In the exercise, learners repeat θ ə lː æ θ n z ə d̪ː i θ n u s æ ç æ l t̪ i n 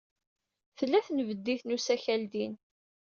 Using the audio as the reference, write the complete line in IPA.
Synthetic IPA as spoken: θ ə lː æ θ n v ə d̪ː i θ n u s æ ç æ l d̪ i n